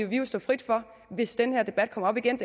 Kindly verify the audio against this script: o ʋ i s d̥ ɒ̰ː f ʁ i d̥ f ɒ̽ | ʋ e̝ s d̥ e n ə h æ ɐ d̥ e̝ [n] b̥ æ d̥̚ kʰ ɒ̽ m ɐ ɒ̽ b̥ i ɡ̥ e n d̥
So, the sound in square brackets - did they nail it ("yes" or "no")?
no